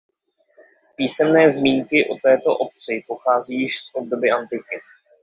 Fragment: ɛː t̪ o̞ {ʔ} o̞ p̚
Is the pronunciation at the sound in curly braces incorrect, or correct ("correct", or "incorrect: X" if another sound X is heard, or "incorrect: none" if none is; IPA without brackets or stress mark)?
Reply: correct